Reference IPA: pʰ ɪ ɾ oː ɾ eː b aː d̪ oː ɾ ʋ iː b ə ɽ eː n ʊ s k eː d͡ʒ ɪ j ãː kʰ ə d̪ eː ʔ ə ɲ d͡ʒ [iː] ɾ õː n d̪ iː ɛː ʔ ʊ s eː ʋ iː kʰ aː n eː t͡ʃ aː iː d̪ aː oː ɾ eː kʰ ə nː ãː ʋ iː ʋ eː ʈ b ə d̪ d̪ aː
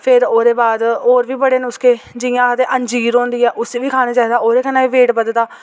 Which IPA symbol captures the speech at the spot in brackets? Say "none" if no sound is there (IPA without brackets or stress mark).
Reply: iː